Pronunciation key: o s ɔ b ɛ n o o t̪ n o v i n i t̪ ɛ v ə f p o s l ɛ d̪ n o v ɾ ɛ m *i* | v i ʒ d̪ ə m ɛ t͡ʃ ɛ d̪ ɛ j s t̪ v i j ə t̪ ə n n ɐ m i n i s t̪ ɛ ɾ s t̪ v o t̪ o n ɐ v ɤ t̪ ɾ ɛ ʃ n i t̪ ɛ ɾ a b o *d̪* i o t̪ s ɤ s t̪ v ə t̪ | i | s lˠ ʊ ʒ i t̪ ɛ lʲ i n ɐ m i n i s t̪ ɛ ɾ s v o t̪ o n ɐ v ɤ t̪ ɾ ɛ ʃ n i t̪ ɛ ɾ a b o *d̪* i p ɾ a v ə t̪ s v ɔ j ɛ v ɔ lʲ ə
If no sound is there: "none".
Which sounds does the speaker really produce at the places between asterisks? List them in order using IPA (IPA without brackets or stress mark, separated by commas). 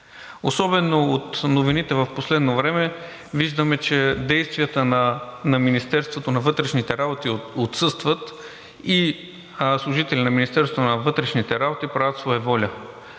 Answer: ɛ, t̪, t̪